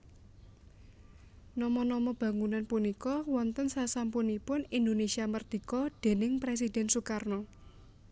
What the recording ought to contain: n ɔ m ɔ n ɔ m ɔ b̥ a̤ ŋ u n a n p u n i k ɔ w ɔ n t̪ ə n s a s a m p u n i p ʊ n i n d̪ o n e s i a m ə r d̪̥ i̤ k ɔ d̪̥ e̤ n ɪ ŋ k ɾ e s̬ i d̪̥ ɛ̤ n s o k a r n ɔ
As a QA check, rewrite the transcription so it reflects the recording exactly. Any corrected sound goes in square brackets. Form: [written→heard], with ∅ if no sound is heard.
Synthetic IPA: n ɔ m ɔ n ɔ m ɔ b̥ a̤ ŋ u n a n p u n i k ɔ w ɔ n t̪ ə n s a s a m p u n i p ʊ n i n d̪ o n e s i a m ə r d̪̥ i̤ k ɔ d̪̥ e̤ n ɪ ŋ [k→p] ɾ e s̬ i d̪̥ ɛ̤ n s [o→u] k a r n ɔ